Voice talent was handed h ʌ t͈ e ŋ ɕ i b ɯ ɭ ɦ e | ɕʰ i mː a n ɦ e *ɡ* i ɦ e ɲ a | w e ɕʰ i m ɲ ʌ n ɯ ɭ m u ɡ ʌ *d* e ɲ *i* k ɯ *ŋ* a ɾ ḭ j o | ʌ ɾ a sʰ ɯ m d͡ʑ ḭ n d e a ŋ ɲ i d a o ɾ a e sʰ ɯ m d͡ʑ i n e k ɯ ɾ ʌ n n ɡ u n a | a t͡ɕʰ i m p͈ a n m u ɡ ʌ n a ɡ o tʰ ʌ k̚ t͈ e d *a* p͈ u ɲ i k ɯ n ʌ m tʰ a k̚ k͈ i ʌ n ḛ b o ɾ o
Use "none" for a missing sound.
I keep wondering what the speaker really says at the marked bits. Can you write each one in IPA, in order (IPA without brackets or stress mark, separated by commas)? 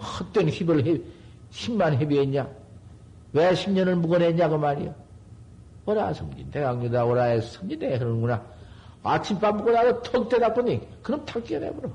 b, n, a, m, a